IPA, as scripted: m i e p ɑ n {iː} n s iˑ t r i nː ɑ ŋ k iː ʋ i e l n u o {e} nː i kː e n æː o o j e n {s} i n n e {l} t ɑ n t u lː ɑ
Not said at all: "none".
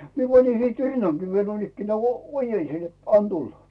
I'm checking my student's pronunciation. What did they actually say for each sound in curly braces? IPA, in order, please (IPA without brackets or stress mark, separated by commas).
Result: i, i, s, none